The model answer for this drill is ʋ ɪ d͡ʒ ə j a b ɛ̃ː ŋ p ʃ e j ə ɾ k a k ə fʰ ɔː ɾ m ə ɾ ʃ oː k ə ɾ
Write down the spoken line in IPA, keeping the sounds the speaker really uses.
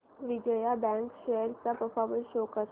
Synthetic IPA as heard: ʋ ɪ d͡ʒ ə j a b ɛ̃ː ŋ k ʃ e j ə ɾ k a p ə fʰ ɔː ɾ m ə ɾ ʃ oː k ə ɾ